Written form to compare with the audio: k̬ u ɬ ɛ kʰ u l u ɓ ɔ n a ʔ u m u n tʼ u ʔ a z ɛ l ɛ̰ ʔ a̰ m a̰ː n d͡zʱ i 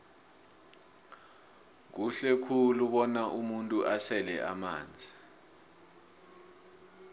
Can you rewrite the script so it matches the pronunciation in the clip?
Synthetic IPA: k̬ u ɬ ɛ kʰ u l u ɓ ɔ n a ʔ u m u n tʼ u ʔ a s ɛ l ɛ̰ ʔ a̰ m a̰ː n d͡zʱ i